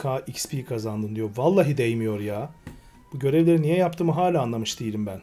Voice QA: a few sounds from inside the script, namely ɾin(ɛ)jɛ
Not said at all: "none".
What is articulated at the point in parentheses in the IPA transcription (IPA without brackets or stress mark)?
i